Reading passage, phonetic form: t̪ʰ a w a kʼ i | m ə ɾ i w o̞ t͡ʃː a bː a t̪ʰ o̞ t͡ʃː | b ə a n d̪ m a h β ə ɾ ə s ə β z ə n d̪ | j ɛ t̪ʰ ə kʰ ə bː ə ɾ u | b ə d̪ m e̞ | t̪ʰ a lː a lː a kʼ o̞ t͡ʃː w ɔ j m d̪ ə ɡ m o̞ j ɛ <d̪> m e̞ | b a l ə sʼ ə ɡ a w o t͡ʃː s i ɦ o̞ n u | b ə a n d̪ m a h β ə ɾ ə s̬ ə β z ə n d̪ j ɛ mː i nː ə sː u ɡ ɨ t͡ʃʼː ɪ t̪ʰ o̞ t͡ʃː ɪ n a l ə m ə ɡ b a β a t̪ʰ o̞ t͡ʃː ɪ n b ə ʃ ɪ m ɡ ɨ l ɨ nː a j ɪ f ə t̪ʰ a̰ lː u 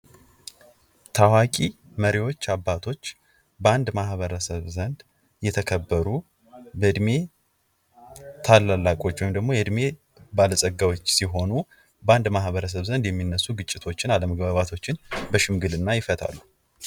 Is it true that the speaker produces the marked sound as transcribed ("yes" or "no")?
yes